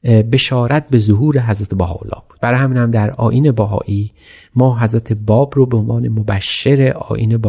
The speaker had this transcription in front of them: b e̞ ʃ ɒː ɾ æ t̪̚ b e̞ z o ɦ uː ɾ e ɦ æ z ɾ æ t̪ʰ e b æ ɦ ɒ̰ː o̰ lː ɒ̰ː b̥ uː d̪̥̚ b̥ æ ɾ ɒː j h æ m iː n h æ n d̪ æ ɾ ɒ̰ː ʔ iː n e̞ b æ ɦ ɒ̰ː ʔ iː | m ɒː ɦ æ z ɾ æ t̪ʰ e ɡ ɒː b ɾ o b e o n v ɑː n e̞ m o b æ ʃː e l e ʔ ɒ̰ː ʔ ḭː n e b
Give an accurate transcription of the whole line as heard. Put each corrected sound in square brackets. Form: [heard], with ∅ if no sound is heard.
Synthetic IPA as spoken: b e̞ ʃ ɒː ɾ æ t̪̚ b e̞ z o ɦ uː ɾ e ɦ æ z ɾ æ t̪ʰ e b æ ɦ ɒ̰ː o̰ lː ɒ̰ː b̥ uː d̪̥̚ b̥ æ ɾ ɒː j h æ m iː n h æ [m] d̪ æ ɾ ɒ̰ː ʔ iː n e̞ b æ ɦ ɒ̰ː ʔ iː | m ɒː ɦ æ z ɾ æ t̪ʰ e [b] ɒː b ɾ o b e o n v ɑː n e̞ m o b æ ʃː e [ɾ] e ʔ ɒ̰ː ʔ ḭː n e b